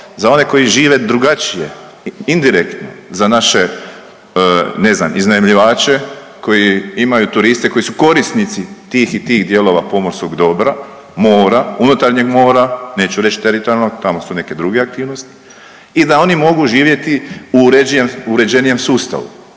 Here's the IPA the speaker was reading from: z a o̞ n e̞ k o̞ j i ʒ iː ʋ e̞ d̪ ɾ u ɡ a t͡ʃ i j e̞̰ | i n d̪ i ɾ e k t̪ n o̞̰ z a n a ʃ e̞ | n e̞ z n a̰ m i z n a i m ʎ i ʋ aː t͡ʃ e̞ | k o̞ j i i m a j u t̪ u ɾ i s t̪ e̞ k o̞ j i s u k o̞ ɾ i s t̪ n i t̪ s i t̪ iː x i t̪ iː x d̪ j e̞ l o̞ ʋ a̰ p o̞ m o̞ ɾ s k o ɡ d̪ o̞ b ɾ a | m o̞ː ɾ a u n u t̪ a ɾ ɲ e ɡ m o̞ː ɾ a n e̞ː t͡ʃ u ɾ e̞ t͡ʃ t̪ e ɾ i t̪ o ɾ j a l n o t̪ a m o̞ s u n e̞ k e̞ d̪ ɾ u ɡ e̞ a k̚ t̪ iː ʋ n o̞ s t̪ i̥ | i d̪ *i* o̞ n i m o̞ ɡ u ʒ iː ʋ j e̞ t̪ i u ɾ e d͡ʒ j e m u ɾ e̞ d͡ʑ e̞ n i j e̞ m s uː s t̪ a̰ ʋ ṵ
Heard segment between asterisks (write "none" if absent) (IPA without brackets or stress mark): a